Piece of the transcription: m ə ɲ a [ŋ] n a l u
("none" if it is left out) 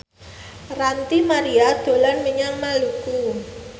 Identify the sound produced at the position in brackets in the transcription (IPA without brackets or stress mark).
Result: ŋ